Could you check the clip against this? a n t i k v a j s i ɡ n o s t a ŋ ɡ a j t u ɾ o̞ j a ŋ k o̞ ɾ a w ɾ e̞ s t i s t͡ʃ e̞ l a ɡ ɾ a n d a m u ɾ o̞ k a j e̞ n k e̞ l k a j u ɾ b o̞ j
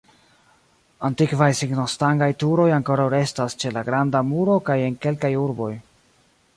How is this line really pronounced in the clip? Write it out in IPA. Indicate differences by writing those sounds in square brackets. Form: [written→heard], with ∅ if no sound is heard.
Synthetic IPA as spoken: a n t i k v a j s i ɡ n o s t a ŋ ɡ a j t u ɾ o̞ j a ŋ k o̞ ɾ a w ɾ e̞ s t [i→a] s t͡ʃ e̞ l a ɡ ɾ a n d a m u ɾ o̞ k a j e̞ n k e̞ l k a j u ɾ b o̞ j